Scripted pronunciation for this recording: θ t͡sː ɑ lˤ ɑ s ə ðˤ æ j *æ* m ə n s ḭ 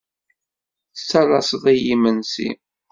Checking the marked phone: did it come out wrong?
yes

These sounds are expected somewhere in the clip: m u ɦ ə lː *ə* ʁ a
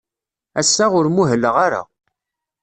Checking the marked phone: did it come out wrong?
no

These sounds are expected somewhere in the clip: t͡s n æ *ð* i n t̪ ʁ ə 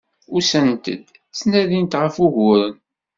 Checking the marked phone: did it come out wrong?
no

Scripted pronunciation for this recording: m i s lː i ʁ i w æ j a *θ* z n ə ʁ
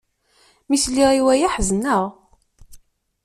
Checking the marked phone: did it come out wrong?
yes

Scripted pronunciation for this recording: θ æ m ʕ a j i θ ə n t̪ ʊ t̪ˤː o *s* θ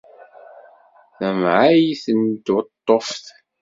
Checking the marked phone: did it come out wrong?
yes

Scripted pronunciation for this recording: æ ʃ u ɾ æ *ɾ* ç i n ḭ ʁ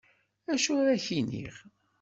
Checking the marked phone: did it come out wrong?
yes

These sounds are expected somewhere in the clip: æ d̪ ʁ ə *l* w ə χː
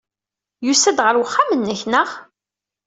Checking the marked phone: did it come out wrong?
yes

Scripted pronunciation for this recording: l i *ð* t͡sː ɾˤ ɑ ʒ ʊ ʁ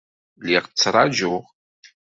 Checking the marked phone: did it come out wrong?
yes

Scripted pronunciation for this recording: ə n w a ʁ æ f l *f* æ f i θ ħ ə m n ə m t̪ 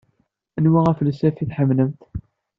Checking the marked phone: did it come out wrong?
yes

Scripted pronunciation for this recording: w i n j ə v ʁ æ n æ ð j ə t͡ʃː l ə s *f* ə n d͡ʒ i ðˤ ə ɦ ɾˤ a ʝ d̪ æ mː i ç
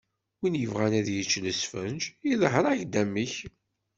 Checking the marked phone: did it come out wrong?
no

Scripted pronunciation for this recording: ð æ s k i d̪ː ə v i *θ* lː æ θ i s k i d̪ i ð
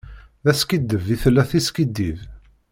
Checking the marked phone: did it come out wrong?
no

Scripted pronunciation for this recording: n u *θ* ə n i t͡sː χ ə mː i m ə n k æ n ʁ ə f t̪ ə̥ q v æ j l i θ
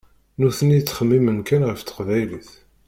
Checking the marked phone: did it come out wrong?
no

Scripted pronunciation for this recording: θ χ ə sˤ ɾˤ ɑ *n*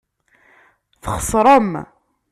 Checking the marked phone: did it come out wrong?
yes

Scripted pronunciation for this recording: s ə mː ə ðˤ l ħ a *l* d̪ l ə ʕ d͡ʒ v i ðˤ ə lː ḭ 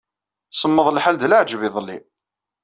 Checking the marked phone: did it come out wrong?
no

